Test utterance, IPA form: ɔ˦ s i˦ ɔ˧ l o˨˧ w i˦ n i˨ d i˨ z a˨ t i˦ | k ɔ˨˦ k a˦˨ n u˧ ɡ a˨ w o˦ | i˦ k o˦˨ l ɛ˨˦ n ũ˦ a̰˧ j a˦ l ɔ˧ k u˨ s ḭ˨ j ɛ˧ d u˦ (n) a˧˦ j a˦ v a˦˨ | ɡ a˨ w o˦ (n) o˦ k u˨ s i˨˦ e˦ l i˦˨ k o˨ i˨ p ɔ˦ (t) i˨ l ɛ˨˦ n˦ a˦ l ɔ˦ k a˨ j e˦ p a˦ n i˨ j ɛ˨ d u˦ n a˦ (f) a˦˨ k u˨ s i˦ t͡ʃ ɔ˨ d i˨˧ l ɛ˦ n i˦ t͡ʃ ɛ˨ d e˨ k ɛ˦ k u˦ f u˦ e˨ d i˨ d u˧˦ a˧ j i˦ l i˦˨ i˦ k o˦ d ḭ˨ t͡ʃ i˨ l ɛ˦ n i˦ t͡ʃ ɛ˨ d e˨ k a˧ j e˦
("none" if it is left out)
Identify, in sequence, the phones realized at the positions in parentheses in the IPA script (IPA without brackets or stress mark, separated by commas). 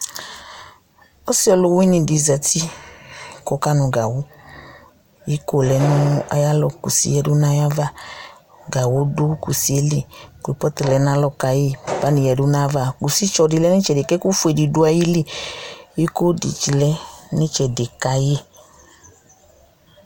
n, d, t, v